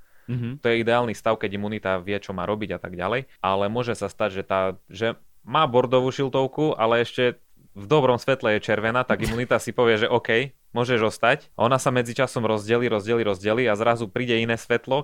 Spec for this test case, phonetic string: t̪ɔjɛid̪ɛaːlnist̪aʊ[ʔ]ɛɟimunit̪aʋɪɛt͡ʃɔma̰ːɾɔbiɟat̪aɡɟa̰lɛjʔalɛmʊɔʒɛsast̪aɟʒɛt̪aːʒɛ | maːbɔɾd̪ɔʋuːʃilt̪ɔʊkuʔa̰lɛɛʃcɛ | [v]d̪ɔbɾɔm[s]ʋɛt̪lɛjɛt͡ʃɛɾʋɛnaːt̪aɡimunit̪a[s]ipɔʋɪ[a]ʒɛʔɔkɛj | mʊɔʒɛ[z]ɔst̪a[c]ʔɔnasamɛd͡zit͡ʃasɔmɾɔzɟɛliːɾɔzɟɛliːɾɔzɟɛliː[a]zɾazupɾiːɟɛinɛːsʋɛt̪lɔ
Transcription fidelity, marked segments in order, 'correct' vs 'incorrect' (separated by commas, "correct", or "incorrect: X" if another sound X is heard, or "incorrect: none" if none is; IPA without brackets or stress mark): incorrect: k, correct, correct, correct, incorrect: ɛ, incorrect: ʒ, correct, correct